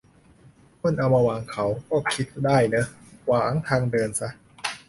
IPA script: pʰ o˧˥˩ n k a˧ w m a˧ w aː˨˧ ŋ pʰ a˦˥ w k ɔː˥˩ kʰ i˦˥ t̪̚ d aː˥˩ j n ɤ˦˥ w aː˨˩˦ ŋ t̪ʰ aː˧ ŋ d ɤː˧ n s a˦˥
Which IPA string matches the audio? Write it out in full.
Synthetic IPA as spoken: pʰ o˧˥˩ n ʔ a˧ w m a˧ w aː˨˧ ŋ kʰ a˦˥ w k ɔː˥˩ kʰ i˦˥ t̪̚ d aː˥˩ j n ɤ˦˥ w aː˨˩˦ ŋ t̪ʰ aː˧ ŋ d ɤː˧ n s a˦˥